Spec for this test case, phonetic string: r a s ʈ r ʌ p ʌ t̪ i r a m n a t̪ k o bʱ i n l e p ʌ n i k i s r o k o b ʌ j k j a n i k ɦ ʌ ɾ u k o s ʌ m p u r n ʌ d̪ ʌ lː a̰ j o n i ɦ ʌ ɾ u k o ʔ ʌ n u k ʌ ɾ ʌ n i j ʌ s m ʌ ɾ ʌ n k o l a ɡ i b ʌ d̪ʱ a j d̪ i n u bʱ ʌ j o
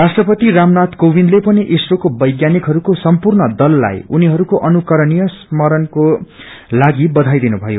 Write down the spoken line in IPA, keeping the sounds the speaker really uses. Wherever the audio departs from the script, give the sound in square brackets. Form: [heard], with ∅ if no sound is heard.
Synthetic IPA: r a s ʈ r ʌ p ʌ t̪ i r a m n a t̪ k o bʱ i n l e p ʌ n i [ʔ] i s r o k o b ʌ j [ɡ] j a n i k ɦ ʌ ɾ u k o s ʌ m p u r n ʌ d̪ ʌ lː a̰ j [u] n i ɦ ʌ ɾ u k o ʔ ʌ n u k ʌ ɾ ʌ n i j ʌ s m ʌ ɾ ʌ n k o l a ɡ i b ʌ d̪ʱ a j d̪ i n u bʱ ʌ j o